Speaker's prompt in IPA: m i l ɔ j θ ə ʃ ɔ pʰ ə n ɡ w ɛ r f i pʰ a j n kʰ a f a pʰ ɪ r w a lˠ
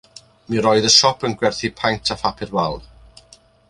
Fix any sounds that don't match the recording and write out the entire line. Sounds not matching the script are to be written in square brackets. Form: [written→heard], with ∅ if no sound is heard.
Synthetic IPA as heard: m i [l→ɾ] ɔ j [θ→ð] ə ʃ ɔ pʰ ə n ɡ w ɛ r [f→θ] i pʰ a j n [kʰ→tʰ] a f a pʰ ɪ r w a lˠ